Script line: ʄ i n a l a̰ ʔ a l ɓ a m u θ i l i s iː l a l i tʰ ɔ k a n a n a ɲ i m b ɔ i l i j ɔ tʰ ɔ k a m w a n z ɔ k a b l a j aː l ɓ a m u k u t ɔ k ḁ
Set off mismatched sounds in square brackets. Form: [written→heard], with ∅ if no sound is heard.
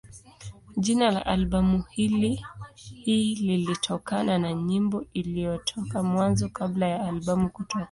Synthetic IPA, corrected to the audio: ʄ i n a l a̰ ʔ a l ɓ a m u [θ→h] i l i [s→h] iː l [a→i] l i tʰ ɔ k a n a n a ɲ i m b ɔ i l i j ɔ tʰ ɔ k a m w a n z ɔ k a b l a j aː l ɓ a m u k u t ɔ k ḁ